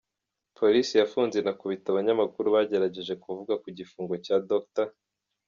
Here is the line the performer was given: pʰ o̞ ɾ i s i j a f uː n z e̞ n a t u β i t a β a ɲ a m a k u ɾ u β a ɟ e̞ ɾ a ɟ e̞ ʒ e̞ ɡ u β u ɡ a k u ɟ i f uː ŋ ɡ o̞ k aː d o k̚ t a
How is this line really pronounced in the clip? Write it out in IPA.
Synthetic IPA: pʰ o̞ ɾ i s i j a f uː n z e̞ n a k u β i t a β a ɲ a m a k u ɾ u β a ɟ e̞ ɾ a ɟ e̞ ʒ e̞ k u v u ɡ a k u ɟ i f uː ŋ ɡ o̞ c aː d o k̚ t a